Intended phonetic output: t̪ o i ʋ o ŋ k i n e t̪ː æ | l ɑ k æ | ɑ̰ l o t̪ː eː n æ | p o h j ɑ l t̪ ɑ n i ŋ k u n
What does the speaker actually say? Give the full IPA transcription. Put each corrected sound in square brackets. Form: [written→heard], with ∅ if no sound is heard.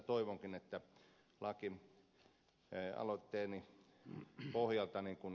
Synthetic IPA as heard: t̪ o i ʋ o ŋ k i n e t̪ː æ | l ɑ k [æ→i] | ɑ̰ l o t̪ː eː n [æ→i] | p o h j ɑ l t̪ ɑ n i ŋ k u n